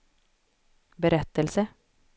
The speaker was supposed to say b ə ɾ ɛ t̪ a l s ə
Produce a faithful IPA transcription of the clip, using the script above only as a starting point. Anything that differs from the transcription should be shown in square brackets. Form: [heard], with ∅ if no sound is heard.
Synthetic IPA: b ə ɾ ɛ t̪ [ə] l s ə

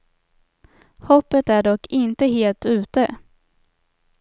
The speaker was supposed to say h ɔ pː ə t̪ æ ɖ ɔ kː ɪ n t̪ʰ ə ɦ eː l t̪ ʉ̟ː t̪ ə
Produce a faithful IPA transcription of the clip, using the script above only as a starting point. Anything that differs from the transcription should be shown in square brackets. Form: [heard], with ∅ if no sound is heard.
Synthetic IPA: h ɔ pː ə t̪ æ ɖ ɔ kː ɪ n [t̪] ə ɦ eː l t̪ ʉ̟ː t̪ ə

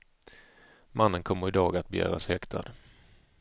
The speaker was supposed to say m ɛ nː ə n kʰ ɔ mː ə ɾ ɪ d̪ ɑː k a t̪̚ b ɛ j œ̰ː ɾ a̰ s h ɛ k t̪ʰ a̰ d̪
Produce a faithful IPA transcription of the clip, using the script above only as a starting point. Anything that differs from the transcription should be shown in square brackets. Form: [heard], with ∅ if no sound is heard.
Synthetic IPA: m [a] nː ə n kʰ ɔ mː ə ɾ ɪ d̪ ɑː [ɡ] a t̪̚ b ɛ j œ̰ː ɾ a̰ s h ɛ k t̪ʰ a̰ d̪

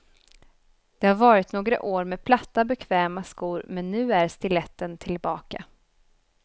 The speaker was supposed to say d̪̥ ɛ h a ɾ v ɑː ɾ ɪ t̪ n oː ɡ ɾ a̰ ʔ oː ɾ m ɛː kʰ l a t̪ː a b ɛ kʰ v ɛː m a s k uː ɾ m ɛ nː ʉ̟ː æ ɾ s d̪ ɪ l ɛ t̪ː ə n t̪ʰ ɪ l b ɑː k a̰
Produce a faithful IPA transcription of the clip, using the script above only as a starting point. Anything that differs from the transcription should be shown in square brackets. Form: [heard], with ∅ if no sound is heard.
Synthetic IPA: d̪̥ ɛ h a ɾ v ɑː ɾ ɪ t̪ n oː ɡ ɾ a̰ ʔ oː ɾ m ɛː [pʰ] l a t̪ː a b ɛ kʰ v ɛː m a s k uː ɾ m ɛ nː ʉ̟ː æ ɾ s [t̪] ɪ l ɛ t̪ː ə n t̪ʰ ɪ l b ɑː k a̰

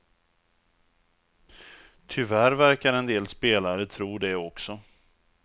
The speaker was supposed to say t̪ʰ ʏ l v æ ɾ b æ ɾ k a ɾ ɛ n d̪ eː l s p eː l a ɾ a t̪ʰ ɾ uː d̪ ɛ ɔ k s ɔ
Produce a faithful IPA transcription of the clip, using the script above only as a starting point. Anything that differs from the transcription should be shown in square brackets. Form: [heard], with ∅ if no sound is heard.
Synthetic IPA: t̪ʰ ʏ [∅] v æ ɾ [v] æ ɾ k a ɾ ɛ n d̪ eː l s p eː l a ɾ [ə] t̪ʰ ɾ uː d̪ ɛ ɔ k s ɔ

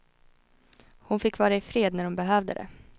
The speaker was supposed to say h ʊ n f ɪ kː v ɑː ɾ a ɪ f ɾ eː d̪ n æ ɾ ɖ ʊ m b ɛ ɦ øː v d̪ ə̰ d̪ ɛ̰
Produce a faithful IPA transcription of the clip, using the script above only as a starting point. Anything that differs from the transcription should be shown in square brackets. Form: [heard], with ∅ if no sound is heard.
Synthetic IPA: h ʊ n f ɪ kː v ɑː ɾ a ɪ f ɾ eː d̪ n æ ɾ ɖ ʊ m b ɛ ɦ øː v d̪ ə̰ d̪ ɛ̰

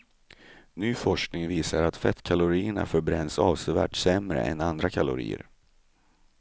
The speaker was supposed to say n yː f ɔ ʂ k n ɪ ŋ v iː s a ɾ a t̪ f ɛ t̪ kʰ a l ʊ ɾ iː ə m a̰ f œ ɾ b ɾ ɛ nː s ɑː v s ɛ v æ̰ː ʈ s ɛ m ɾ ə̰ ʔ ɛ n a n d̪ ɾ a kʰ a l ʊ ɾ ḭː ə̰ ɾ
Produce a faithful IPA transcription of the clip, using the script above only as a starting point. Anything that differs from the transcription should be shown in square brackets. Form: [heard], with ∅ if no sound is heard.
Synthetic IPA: n yː f ɔ ʂ k n ɪ ŋ v iː s a ɾ a t̪ f ɛ t̪ kʰ a l ʊ ɾ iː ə [ɳ] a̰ f œ ɾ b ɾ ɛ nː s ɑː v s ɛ v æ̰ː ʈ s ɛ m ɾ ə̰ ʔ ɛ n a n d̪ ɾ a kʰ a l ʊ ɾ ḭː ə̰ ɾ

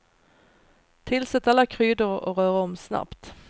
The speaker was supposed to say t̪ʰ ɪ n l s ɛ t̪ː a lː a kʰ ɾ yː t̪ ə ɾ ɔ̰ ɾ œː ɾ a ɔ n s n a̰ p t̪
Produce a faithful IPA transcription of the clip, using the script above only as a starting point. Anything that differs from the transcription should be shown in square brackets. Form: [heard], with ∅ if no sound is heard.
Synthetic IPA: t̪ʰ ɪ [∅] l s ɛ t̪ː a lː a kʰ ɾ yː [d̪] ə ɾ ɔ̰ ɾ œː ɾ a ɔ [m] s n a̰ p t̪

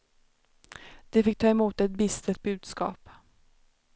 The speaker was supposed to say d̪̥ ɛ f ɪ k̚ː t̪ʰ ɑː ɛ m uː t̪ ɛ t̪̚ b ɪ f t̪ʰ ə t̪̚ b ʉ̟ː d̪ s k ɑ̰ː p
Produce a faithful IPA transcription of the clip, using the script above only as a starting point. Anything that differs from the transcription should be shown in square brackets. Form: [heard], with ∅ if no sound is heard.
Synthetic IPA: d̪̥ ɛ f ɪ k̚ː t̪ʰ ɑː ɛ m uː t̪ ɛ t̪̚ b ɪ [s] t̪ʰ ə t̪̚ b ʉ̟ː d̪ s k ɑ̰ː p

